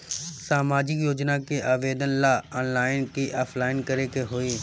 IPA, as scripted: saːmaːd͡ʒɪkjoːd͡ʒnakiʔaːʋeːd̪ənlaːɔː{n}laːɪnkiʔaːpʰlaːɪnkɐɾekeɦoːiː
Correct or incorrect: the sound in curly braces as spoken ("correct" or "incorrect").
correct